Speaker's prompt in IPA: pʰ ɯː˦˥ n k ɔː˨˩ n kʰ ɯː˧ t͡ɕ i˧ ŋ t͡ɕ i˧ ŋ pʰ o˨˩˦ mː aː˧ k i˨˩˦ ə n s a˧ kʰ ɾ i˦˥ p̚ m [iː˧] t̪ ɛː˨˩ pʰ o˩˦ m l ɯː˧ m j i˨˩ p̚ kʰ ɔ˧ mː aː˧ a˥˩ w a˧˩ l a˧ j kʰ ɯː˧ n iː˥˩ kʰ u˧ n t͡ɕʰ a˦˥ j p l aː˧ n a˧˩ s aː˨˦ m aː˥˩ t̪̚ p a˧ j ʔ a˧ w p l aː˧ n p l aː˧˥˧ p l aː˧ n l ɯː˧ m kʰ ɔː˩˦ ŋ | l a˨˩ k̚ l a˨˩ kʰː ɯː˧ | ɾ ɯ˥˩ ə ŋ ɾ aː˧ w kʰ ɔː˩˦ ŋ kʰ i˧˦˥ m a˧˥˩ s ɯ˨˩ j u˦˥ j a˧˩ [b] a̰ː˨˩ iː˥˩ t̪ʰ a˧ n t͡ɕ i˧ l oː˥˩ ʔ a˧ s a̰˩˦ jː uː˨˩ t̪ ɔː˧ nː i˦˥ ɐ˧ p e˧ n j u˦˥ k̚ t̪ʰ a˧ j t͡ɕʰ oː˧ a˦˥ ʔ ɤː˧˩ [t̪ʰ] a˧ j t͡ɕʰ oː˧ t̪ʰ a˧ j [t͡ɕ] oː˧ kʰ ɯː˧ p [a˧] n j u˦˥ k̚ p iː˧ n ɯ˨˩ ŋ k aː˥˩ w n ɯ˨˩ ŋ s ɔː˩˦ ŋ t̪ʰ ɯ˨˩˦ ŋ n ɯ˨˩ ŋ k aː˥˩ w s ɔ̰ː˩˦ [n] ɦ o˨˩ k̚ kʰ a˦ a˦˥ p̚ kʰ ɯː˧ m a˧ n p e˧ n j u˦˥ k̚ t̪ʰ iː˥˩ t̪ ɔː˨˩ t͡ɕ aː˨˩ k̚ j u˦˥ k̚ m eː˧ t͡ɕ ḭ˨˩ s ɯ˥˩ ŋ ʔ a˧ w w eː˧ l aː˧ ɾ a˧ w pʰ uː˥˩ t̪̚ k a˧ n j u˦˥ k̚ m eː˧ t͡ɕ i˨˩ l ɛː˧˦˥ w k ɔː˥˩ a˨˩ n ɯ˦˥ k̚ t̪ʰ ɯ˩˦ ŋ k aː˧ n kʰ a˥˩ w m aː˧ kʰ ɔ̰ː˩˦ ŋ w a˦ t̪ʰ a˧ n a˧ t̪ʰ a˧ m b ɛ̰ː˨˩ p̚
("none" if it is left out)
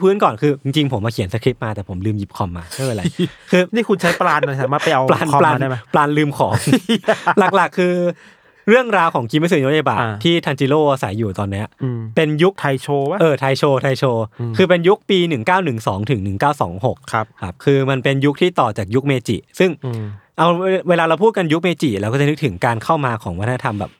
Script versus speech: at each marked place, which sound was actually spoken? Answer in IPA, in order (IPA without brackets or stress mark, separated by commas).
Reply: aː˧, b, t̪ʰ, t͡ɕʰ, e˧, ŋ